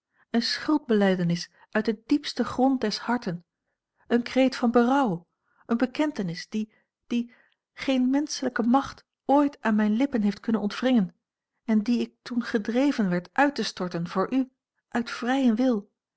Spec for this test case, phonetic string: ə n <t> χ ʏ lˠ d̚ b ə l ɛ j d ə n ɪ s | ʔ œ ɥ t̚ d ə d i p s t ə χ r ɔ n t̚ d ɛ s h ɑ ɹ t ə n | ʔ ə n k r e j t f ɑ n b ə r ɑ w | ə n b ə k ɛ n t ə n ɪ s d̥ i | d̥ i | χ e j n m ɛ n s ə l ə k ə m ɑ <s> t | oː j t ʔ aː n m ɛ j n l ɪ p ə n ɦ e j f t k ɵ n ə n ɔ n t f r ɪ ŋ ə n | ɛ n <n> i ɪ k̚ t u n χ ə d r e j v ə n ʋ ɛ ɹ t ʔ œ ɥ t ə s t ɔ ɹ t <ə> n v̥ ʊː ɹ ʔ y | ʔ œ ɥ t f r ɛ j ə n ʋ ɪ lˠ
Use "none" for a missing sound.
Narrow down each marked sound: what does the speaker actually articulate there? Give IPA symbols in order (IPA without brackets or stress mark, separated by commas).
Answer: s, χ, d, ə